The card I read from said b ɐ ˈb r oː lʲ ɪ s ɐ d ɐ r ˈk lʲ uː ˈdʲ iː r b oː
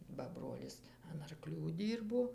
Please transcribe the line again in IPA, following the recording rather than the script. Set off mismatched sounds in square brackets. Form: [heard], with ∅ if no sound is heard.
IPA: b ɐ ˈb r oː lʲ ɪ s ɐ [n] ɐ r ˈk lʲ uː ˈdʲ iː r b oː